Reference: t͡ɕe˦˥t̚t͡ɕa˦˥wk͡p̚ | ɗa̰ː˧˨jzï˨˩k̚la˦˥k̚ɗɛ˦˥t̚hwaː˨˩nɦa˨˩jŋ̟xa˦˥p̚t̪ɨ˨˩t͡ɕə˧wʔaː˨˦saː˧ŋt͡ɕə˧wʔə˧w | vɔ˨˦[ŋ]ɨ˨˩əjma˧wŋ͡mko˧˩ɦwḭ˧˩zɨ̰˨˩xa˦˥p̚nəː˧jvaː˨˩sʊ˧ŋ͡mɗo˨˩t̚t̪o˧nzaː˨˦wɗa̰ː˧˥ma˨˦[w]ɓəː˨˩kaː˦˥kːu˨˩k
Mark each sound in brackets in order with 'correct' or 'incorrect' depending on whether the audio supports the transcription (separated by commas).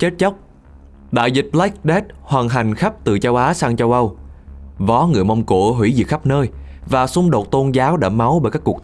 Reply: correct, correct